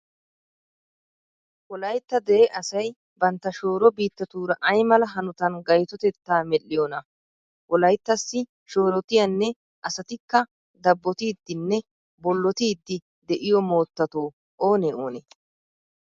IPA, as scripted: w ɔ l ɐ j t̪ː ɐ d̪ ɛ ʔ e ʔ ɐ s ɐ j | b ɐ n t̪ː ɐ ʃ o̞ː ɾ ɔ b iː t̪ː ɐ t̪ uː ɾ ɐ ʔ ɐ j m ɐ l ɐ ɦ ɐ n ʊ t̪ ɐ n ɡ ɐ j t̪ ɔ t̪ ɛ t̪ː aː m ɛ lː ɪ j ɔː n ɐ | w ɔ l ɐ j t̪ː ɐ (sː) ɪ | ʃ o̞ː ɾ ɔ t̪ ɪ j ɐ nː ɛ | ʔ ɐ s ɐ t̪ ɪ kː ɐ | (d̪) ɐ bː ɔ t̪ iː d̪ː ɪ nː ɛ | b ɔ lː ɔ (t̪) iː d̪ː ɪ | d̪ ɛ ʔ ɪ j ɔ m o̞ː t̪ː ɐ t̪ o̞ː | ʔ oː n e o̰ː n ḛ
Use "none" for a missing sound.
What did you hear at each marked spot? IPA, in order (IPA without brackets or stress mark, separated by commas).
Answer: sː, d̪, t̪